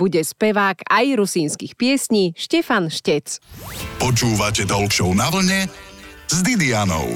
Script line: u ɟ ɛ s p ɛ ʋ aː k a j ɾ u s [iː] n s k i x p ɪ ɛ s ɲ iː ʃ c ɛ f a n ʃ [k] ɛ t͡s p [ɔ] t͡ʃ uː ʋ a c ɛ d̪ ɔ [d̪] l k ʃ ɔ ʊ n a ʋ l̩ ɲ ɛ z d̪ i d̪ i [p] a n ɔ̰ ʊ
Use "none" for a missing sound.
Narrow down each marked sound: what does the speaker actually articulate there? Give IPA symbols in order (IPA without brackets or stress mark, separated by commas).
iː, c, ɔ, none, none